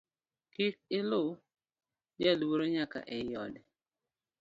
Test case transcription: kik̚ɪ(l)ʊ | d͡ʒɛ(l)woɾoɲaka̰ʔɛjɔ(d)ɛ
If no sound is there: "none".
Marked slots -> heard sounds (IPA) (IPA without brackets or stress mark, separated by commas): l, l, d